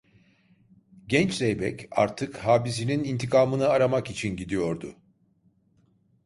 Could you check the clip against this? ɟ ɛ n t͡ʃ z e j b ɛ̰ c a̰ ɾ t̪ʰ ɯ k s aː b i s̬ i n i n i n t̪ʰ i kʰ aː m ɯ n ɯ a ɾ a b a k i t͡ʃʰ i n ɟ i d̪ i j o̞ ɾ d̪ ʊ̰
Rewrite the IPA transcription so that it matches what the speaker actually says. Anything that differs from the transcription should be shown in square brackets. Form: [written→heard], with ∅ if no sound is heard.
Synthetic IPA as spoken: ɟ ɛ n t͡ʃ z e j b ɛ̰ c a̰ ɾ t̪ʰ ɯ k [s→h] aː b i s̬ i n i n i n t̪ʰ i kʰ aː m ɯ n ɯ a ɾ a [b→m] a k i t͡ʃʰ i n ɟ i d̪ i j o̞ ɾ d̪ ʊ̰

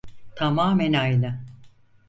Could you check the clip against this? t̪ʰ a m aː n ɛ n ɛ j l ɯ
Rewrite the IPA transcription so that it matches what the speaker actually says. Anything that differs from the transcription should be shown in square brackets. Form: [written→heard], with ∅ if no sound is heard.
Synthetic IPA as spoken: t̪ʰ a m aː [n→m] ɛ n [ɛ→a] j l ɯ

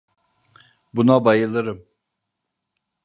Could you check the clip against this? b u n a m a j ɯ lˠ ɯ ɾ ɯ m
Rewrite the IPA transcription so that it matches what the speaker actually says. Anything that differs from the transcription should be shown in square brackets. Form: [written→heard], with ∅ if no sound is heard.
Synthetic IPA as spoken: b u n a [m→b] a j ɯ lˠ ɯ ɾ ɯ m

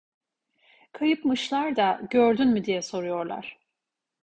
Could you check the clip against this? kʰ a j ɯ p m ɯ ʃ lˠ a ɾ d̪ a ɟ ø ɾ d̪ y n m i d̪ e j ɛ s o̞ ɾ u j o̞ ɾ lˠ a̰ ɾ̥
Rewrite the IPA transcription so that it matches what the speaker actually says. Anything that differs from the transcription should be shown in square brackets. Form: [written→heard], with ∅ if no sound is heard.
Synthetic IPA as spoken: kʰ a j ɯ p m ɯ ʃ lˠ a ɾ d̪ a ɟ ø ɾ d̪ y n m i d̪ [e→i] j ɛ s o̞ ɾ u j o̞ ɾ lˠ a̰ ɾ̥

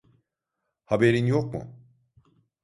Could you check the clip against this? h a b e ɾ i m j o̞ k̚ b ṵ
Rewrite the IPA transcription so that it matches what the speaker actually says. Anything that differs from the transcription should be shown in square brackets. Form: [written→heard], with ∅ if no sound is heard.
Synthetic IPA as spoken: h a b e ɾ i [m→n] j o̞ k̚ [b→m] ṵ

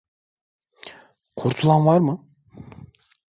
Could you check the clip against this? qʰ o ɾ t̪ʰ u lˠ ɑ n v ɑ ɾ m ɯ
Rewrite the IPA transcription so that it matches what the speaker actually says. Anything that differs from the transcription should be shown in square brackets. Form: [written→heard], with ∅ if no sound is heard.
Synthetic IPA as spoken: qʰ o ɾ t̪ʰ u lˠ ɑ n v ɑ ɾ m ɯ

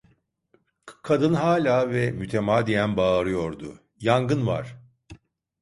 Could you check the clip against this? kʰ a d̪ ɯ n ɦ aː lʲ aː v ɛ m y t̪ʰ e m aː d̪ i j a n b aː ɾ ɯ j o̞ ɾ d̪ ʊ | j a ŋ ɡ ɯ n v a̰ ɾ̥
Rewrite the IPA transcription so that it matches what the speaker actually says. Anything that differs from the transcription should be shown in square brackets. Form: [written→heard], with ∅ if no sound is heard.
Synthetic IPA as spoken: kʰ a d̪ ɯ n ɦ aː lʲ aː v ɛ m y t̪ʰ e m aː d̪ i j [a→æ] n b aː ɾ ɯ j o̞ ɾ d̪ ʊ | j a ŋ ɡ ɯ n v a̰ ɾ̥

